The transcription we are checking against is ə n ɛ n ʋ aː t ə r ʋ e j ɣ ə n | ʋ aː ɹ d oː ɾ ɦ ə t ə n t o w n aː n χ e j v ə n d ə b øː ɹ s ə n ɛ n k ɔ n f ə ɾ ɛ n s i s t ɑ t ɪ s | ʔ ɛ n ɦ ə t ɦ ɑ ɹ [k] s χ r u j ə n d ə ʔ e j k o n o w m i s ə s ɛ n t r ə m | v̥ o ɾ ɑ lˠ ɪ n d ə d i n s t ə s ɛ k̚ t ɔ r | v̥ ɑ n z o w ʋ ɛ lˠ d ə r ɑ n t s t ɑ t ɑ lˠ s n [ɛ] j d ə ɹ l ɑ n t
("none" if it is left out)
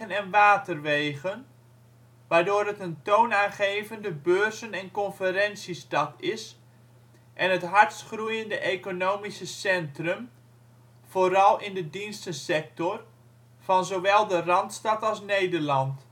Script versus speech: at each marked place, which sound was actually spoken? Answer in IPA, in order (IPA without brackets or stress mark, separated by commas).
t, e